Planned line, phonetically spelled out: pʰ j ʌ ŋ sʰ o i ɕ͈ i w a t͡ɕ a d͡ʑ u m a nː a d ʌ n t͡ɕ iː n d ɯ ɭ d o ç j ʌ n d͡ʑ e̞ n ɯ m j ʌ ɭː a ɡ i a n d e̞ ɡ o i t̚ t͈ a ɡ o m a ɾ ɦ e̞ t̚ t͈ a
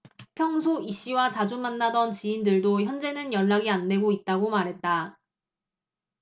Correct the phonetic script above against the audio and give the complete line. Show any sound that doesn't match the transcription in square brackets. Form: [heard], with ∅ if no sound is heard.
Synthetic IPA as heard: pʰ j ʌ ŋ sʰ o i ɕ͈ i w a t͡ɕ a d͡ʑ u m a nː a d ʌ n t͡ɕ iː n d ɯ ɭ d o ç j ʌ n d͡ʑ e̞ n ɯ [n] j ʌ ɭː a ɡ i a n d e̞ ɡ o i t̚ t͈ a ɡ o m a ɾ ɦ e̞ t̚ t͈ a